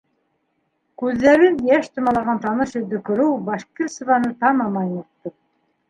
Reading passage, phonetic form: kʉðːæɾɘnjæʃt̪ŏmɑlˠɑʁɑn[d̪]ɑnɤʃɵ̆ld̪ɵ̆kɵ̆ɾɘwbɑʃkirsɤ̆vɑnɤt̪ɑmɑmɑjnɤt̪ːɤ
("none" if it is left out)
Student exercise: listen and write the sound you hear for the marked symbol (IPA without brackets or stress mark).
t̪